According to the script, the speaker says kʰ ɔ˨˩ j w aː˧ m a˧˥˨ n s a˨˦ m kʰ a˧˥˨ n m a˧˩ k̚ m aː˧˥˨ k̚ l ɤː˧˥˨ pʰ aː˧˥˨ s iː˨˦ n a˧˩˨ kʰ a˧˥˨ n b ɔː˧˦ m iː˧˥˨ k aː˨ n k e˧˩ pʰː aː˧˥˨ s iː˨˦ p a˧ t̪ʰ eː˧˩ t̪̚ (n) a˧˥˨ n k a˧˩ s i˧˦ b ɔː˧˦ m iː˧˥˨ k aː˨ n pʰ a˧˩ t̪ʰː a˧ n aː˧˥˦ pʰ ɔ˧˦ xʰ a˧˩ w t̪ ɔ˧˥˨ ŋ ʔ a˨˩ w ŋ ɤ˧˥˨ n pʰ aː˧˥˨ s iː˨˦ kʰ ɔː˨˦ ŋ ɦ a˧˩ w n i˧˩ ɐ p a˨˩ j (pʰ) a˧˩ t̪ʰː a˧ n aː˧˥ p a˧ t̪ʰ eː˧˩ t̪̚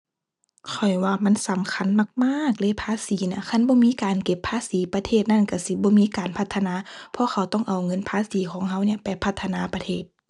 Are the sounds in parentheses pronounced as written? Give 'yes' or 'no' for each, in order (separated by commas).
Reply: yes, yes